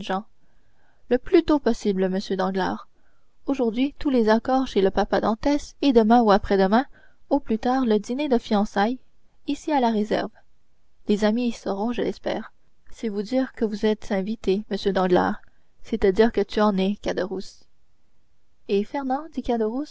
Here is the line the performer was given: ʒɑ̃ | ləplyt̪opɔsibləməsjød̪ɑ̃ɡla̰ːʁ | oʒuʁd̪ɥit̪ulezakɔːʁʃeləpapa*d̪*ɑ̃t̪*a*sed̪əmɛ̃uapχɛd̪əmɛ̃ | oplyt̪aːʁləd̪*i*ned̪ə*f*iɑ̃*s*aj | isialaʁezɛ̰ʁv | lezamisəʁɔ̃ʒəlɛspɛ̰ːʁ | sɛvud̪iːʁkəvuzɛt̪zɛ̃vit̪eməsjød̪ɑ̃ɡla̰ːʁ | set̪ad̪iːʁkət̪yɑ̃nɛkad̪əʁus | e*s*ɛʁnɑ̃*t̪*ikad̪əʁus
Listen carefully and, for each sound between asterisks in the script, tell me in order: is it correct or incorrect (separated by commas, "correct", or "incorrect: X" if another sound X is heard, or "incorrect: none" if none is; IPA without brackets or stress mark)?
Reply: correct, incorrect: ɛ, correct, correct, correct, incorrect: f, incorrect: d̪